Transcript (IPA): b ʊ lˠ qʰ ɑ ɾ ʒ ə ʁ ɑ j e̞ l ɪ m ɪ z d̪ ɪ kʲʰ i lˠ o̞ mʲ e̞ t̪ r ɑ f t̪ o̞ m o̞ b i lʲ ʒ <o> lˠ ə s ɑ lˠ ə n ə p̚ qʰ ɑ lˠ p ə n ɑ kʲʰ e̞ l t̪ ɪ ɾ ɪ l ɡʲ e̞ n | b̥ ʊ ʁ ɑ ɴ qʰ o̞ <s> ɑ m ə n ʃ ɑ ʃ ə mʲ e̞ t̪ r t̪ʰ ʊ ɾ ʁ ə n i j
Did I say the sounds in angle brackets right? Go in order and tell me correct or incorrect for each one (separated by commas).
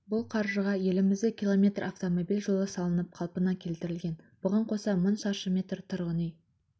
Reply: correct, correct